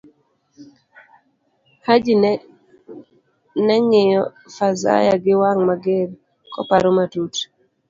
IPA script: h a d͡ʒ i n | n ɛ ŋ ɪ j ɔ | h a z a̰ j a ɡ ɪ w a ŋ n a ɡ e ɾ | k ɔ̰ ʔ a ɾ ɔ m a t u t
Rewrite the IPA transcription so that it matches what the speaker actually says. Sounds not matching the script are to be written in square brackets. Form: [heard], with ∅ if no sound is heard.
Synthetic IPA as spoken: h a d͡ʒ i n | n ɛ ŋ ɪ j ɔ | [f] a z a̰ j a ɡ ɪ w a ŋ [m] a ɡ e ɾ | k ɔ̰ [p] a ɾ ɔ m a t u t

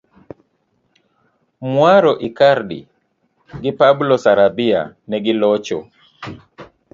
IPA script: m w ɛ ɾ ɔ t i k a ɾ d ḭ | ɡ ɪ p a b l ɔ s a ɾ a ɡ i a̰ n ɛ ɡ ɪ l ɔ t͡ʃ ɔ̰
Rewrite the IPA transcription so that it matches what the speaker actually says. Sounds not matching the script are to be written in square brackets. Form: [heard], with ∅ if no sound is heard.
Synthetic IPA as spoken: m w [a] ɾ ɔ [ʔ] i k a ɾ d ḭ | ɡ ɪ p a b l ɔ s a ɾ a [b] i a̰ n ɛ ɡ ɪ l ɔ t͡ʃ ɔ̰

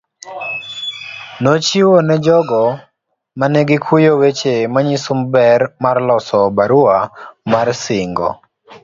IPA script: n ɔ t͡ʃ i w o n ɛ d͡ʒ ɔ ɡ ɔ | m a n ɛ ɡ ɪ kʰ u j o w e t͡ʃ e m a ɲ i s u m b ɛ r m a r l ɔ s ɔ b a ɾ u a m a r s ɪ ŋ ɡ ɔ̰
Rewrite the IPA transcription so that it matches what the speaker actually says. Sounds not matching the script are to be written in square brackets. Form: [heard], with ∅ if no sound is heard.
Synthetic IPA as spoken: n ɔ t͡ʃ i w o n ɛ d͡ʒ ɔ ɡ ɔ | m a n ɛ ɡ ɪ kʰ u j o w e t͡ʃ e m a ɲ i s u m b ɛ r m a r l ɔ s ɔ b a ɾ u a m a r s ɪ ŋ ɡ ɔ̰

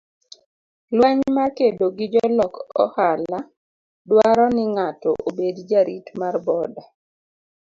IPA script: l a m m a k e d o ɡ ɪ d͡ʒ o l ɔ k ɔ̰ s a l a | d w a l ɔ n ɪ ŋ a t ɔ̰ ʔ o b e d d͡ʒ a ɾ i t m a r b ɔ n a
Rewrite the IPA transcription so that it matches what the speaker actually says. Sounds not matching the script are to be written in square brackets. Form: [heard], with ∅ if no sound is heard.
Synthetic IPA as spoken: l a [ɲ] m a k e d o ɡ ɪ d͡ʒ [ɔ] l ɔ k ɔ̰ [h] a l a | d w a [ɾ] ɔ n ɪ ŋ a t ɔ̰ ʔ o b e d d͡ʒ a ɾ i t m a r b ɔ [d] a

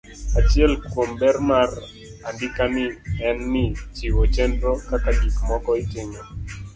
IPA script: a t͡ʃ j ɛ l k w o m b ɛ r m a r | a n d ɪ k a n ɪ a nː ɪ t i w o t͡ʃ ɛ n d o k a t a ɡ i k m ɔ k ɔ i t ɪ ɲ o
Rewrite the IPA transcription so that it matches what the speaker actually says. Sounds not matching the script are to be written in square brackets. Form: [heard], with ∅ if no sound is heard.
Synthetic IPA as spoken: a t͡ʃ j ɛ l k w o m b ɛ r m a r | a n d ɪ k a n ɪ [ɛ] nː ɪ [t͡ʃ] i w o t͡ʃ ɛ n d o k a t a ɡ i k m ɔ k ɔ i t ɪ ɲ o

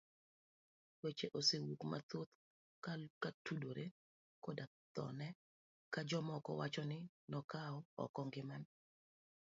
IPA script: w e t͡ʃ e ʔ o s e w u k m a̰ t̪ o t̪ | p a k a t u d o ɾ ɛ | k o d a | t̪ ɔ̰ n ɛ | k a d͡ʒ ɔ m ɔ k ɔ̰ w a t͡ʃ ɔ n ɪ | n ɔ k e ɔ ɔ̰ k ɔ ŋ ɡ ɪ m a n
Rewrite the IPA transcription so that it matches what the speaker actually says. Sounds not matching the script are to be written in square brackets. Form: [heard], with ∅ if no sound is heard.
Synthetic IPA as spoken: w e t͡ʃ e ʔ o s e w u k m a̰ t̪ o t̪ | [k] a k a t u d o ɾ [e] | k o d a | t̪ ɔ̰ n ɛ | k a d͡ʒ ɔ m ɔ k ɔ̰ w a t͡ʃ ɔ n ɪ | n ɔ k [a] ɔ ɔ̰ k ɔ ŋ ɡ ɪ m a n

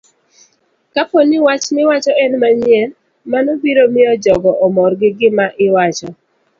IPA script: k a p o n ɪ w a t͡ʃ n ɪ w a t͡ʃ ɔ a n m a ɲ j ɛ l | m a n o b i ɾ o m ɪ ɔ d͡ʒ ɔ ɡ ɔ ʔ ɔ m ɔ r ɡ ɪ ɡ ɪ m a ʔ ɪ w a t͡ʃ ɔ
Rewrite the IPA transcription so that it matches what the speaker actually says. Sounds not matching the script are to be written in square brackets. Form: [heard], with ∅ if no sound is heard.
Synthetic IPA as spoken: k a p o n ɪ w a t͡ʃ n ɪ w a t͡ʃ ɔ [ɛ] n m a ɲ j ɛ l | m a n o b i ɾ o m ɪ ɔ d͡ʒ ɔ ɡ ɔ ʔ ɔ m ɔ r ɡ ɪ ɡ ɪ m a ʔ ɪ w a t͡ʃ ɔ

